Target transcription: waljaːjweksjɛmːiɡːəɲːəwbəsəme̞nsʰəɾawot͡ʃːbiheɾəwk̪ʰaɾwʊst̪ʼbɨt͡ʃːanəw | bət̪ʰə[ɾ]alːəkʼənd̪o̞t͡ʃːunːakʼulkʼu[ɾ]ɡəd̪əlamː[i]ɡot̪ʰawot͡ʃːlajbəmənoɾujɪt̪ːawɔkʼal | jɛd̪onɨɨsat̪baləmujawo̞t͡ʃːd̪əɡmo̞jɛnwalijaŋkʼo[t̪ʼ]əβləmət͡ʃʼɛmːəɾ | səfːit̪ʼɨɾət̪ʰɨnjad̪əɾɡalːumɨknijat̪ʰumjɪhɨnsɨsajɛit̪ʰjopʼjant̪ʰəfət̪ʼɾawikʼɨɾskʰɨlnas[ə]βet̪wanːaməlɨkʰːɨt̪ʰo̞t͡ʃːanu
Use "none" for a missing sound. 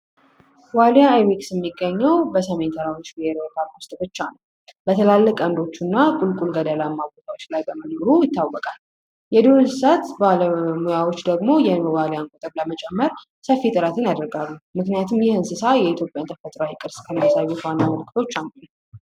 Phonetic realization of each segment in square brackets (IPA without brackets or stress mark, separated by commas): l, l, a, t̪ʼ, a